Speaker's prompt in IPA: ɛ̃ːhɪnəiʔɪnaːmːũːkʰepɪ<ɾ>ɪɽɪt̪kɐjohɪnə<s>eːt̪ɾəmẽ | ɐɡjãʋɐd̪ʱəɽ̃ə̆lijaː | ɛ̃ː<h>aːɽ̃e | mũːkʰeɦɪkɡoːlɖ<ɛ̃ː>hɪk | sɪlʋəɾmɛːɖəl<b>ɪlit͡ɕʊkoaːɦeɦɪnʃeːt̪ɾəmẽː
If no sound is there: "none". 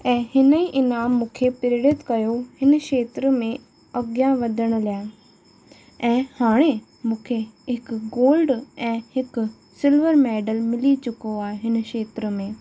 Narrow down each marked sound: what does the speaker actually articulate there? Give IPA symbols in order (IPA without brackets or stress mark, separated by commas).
ɾ, ʃ, h, ɛ̃ː, m